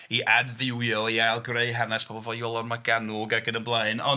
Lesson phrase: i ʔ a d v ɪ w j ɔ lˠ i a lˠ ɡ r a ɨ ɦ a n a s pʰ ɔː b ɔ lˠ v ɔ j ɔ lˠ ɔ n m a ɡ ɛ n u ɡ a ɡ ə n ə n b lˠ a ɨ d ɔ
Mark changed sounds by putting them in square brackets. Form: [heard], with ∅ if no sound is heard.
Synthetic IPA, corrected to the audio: i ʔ a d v ɪ w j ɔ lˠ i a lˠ ɡ r [e] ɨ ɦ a n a s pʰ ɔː b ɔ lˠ v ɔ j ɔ lˠ ɔ n m a ɡ [a] n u ɡ a ɡ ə n ə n b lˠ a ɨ [n] ɔ